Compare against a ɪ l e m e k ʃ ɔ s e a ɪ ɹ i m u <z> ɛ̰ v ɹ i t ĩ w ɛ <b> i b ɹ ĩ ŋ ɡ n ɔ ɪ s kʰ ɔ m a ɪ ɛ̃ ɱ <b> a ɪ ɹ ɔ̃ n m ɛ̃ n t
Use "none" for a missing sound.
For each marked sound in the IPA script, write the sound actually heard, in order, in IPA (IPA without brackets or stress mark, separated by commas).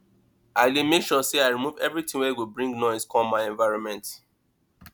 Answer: v, w, v